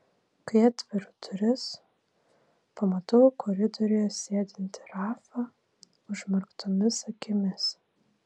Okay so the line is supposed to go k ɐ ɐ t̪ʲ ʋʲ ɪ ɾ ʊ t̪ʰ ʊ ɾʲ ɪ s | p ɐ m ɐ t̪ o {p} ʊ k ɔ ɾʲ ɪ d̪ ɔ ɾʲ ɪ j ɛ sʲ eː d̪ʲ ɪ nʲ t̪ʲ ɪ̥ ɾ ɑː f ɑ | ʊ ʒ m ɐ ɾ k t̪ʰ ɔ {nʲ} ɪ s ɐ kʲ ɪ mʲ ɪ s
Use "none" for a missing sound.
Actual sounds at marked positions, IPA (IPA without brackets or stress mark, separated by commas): none, mʲ